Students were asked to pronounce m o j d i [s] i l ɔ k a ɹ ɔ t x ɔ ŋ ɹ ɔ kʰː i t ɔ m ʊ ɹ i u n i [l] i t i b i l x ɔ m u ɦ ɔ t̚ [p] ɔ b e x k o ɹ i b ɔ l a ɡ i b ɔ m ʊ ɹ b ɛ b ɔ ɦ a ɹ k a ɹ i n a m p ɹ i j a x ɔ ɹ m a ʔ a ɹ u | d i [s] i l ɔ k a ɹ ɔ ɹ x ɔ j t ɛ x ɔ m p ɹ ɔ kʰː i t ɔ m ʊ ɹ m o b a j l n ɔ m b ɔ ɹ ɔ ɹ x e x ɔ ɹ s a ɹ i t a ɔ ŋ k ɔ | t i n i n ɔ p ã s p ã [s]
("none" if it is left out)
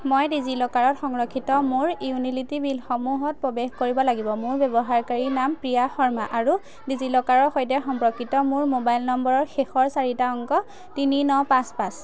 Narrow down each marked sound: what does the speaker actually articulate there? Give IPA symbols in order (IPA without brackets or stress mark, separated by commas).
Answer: z, l, p, z, s